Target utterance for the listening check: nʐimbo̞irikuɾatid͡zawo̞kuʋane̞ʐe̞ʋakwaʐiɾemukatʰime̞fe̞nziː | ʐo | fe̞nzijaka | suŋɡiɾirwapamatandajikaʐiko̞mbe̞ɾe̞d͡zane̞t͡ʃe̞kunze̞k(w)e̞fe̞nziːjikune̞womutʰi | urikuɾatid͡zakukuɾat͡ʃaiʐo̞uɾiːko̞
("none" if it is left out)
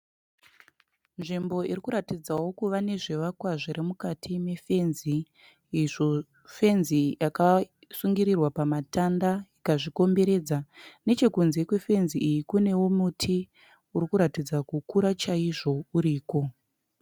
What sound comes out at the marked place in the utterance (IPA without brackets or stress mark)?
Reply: w